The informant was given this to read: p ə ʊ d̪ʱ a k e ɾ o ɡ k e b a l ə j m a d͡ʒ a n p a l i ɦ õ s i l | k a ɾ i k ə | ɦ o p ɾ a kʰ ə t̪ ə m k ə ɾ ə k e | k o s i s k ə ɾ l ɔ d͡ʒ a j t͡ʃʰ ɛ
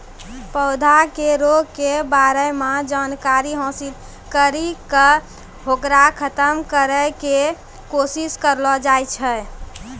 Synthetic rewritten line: p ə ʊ d̪ʱ a k e ɾ o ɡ k e b a ɾ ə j m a d͡ʒ a n k a ɾ i ɦ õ s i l | k ə ɾ i k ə | ɦ o k ɾ a kʰ ə t̪ ə m k ə ɾ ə k e | k o s i s k ə ɾ l ɔ d͡ʒ a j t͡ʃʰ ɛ